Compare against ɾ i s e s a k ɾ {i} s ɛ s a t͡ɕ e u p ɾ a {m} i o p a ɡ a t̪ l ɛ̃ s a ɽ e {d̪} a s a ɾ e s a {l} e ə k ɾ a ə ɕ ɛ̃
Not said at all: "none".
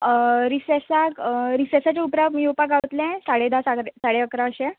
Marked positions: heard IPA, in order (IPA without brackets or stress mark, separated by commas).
i, m, d̪, ɽ